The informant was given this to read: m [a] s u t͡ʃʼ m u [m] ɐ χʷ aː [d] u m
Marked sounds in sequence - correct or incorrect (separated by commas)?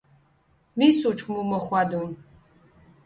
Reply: incorrect, correct, correct